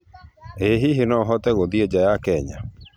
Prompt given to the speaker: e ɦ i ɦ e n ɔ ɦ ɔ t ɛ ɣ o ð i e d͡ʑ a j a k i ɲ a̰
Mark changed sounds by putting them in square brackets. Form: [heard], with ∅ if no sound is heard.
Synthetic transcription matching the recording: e ɦ i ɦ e n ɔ ɦ ɔ t ɛ ɣ o ð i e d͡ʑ a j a k [ɛ] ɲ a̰

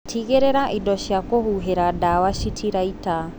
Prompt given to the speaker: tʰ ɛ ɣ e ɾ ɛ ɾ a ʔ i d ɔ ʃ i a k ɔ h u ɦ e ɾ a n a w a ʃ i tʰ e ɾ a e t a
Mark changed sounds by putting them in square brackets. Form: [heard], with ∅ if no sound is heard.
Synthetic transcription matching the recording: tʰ [i] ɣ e ɾ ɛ ɾ a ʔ i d ɔ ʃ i a k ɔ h u ɦ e ɾ a [d] a w a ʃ i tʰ [i] ɾ a [i] t a

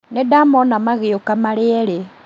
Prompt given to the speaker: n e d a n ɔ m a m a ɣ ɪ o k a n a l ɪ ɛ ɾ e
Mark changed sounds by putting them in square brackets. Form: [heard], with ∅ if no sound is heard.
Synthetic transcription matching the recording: n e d a [m] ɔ [n] a m a ɣ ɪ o k a [m] a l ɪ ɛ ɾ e

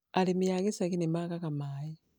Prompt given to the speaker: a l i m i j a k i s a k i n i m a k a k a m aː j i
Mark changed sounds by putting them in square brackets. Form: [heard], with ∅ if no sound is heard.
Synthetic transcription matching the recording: a l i m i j a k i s a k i n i m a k a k a m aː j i

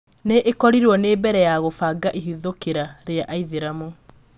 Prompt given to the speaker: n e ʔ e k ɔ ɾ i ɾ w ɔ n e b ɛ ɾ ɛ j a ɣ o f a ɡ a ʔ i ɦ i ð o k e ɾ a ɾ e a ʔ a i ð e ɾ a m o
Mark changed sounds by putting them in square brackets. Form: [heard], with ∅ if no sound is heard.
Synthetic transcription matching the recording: n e ʔ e k ɔ ɾ i ɾ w ɔ n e b ɛ ɾ ɛ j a ɣ o f a ɡ a ʔ i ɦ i ð o k e ɾ a ɾ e a ʔ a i ð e ɾ a m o

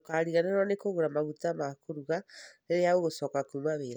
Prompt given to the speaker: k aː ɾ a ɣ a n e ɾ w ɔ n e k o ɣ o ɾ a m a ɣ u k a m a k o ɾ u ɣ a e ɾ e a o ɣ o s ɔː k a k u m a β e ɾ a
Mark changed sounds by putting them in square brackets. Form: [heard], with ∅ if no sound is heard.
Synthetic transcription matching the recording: k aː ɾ [i] ɣ a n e ɾ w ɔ n e k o ɣ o ɾ a m a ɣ u [t] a m a k o ɾ u ɣ a e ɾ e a o ɣ o s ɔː k a k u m a β e ɾ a

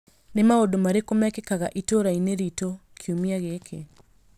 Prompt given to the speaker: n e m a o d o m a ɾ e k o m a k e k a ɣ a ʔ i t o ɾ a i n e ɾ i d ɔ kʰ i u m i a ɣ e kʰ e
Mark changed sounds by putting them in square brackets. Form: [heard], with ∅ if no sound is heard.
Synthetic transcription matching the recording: n e m a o d o m a ɾ e k o m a k e k a ɣ a ʔ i t o ɾ a i n e ɾ i [t] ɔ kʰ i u m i a ɣ e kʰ e

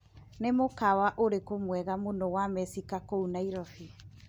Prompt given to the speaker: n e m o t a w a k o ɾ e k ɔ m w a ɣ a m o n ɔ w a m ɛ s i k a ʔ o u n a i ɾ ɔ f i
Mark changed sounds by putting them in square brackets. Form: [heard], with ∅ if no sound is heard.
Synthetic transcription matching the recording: n e m o [k] a w a [ʔ] o ɾ e k [o] m w [ɛ] ɣ a m o n ɔ w a m ɛ s i k a [k] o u n a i ɾ ɔ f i

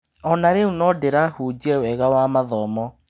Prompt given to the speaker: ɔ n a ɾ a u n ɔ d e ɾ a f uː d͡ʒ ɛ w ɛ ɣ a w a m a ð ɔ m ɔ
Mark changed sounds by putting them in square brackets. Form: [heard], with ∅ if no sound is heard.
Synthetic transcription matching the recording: ɔ n a ɾ [e] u n ɔ d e ɾ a [h] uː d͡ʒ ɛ w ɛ ɣ a w a m a ð ɔ m ɔ

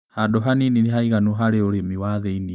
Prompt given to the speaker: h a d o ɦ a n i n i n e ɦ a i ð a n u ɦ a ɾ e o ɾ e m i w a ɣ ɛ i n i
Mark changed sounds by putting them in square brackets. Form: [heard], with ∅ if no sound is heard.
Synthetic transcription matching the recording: h a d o ɦ a n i n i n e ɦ a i [ɣ] a n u ɦ a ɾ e o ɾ e m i w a [ð] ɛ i n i

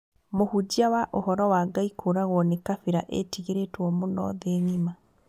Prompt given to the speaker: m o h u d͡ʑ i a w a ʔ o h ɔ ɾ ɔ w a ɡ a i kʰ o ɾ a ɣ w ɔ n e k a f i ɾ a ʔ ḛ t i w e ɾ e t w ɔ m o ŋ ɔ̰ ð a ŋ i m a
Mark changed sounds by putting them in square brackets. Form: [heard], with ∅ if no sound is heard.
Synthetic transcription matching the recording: m o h u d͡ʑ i a w a ʔ o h ɔ ɾ ɔ w a ɡ a i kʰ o ɾ a ɣ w ɔ n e k a f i ɾ a ʔ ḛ t i [ɣ] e ɾ e t w ɔ m o [n] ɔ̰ ð [e] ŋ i m a

